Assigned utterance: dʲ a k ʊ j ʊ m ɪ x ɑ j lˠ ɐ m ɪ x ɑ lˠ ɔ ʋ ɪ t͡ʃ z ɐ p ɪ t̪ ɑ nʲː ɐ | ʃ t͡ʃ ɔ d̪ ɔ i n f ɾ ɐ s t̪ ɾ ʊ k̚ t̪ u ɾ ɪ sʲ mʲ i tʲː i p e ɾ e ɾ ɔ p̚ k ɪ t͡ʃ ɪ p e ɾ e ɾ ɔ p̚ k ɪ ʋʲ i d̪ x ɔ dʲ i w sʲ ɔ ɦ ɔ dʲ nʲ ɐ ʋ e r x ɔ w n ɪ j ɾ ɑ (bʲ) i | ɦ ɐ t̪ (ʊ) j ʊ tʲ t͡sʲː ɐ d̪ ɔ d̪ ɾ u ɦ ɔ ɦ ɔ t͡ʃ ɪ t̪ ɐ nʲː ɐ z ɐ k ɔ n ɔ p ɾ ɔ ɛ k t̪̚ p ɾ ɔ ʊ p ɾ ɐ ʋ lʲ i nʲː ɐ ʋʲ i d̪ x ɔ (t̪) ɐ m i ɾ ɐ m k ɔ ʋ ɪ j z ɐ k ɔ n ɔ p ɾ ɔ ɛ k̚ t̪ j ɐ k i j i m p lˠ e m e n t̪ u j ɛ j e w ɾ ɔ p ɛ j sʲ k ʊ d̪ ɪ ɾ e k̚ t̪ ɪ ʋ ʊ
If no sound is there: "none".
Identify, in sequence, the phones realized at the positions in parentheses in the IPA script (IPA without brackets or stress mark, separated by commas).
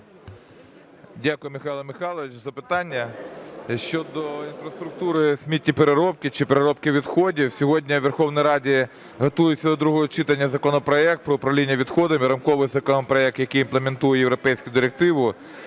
dʲ, u, d̪